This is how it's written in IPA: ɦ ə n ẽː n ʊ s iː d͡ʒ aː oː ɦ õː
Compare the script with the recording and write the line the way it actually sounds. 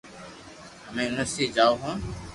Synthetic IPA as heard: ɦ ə m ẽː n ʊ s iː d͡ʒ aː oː ɦ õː